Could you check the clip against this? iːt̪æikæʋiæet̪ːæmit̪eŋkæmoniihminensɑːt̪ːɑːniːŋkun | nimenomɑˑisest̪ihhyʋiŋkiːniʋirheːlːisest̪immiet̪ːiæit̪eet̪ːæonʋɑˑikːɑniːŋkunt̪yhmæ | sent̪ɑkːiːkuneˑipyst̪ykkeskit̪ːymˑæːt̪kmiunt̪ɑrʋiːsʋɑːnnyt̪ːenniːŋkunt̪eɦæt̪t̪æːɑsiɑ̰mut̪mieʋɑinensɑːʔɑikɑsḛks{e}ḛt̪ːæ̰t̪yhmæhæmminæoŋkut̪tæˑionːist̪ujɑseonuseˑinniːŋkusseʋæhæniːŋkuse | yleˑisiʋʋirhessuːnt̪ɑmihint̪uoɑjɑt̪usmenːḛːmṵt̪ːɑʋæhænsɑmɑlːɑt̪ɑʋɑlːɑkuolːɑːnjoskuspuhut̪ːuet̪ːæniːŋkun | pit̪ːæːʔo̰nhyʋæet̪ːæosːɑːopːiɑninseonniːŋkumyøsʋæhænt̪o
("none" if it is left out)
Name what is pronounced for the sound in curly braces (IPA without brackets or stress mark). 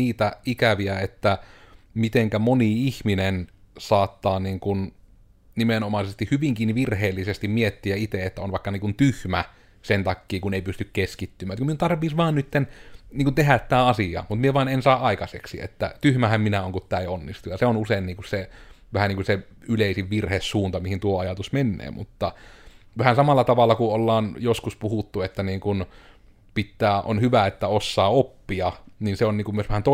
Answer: i